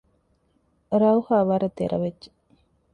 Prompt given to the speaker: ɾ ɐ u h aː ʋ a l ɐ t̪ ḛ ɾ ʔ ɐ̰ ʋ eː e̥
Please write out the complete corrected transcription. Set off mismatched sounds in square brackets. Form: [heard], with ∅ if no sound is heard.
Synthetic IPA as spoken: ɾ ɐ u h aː ʋ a [ɾ] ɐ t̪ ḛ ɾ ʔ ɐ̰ ʋ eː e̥

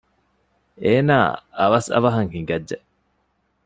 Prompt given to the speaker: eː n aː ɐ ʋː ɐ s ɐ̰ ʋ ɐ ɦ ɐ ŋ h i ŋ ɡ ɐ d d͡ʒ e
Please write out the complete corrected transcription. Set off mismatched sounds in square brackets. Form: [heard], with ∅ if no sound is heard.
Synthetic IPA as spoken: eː n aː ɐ [ʋ] ɐ s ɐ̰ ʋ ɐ ɦ ɐ ŋ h i ŋ ɡ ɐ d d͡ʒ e

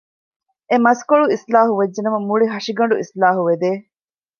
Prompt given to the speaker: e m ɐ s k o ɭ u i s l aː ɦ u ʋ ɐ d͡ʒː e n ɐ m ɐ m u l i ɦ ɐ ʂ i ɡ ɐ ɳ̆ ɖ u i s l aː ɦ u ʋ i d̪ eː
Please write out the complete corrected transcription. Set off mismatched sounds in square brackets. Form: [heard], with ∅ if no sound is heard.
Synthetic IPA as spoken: e m ɐ s k o ɭ u i s l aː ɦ u ʋ ɐ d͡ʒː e n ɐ m ɐ m u [ɭ] i ɦ ɐ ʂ i ɡ ɐ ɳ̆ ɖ u i s l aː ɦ u ʋ [e] d̪ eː

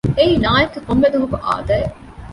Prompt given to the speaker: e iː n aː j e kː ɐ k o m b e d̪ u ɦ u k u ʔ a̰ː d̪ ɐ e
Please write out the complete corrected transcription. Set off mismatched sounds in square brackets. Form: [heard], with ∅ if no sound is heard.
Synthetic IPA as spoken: e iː n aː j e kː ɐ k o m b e d̪ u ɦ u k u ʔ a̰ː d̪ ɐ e

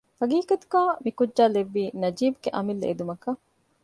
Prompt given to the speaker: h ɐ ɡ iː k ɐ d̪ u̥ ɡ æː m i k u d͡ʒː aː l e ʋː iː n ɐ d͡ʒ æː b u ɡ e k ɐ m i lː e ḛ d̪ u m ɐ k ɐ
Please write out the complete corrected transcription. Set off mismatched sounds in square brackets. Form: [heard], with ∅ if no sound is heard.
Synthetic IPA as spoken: [f] ɐ ɡ iː k ɐ [t̪] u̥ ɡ [aː] m i k u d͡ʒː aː l e ʋː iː n ɐ d͡ʒ [iː] b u ɡ e [ʔ] ɐ m i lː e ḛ d̪ u m ɐ k ɐ

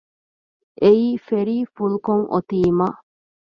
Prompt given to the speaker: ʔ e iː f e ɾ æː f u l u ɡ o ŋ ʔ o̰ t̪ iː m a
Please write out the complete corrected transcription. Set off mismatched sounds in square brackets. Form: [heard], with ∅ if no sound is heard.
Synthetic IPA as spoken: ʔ e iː f e ɾ [iː] f u l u [k] o ŋ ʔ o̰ t̪ iː m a

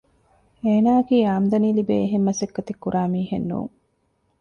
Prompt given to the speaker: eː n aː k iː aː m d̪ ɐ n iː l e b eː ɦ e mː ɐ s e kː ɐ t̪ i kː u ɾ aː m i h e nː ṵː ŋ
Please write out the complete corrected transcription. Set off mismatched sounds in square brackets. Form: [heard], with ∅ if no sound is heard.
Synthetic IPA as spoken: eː n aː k iː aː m d̪ ɐ n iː l [i] b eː ɦ e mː ɐ s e kː ɐ t̪ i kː u ɾ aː m [iː] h e nː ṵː ŋ

